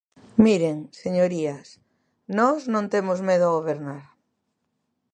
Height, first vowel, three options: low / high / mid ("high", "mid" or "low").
high